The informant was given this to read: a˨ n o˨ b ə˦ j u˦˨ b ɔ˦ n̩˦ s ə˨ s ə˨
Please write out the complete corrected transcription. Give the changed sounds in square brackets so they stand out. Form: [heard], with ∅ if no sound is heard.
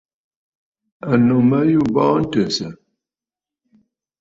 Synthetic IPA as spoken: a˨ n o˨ [m] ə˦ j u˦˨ b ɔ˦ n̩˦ [t] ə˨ s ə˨